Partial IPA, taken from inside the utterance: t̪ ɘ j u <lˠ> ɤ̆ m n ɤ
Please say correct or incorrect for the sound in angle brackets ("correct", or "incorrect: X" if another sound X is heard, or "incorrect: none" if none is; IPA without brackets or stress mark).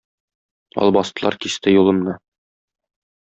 correct